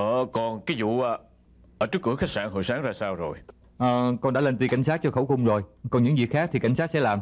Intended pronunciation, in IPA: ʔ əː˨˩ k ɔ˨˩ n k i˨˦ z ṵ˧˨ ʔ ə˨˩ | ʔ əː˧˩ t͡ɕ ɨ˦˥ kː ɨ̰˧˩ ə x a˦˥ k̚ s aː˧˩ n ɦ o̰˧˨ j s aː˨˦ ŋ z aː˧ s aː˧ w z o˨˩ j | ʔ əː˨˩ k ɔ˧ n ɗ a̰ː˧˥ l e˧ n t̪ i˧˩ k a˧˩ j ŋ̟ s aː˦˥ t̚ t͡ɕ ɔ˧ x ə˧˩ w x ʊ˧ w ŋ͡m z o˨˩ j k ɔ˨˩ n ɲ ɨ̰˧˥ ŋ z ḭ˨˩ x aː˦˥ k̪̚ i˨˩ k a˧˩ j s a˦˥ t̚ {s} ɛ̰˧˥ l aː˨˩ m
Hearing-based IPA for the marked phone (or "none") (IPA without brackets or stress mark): s